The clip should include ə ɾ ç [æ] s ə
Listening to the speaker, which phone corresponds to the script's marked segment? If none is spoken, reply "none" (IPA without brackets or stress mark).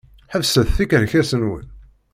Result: æ